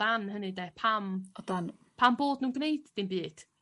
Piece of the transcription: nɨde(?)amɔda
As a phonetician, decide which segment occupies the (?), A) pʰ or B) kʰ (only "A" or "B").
A